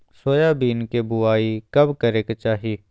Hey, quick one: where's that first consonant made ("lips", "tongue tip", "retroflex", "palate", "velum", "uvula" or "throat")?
tongue tip